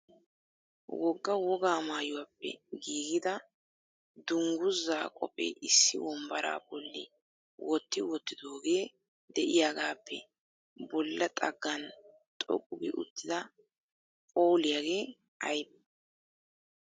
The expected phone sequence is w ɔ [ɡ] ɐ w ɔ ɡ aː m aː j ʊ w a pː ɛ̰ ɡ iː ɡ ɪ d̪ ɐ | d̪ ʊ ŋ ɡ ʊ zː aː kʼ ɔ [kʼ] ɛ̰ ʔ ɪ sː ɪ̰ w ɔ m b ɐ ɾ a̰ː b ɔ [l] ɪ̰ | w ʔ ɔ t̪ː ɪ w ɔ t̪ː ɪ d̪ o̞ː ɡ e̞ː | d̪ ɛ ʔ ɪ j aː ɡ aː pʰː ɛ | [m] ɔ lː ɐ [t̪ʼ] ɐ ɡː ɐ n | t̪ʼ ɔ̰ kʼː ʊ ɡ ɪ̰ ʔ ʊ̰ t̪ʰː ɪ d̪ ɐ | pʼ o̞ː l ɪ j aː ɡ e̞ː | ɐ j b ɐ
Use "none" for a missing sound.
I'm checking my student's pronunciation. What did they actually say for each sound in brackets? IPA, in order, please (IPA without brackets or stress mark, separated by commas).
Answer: ɡː, pʼ, lː, b, t̪ʼ